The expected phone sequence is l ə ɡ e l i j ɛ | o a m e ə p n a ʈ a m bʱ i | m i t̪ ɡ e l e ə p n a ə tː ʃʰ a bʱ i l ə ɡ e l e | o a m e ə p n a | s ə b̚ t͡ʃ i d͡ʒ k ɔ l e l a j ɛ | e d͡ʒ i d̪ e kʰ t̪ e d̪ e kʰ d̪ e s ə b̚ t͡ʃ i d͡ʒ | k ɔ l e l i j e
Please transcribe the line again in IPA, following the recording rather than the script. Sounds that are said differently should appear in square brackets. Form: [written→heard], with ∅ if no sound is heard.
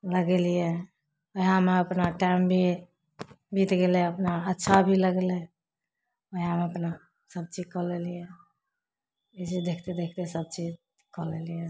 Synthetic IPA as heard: l ə ɡ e l i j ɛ | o a m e ə p n a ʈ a m bʱ i | [m→b] i t̪ ɡ e l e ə p n a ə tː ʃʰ a bʱ i l ə ɡ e l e | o a m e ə p n a | s ə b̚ t͡ʃ i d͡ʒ k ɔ l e l [a→i] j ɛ | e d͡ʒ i d̪ e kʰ t̪ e d̪ e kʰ [d̪→t̪] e s ə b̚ t͡ʃ i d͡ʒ | k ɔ l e l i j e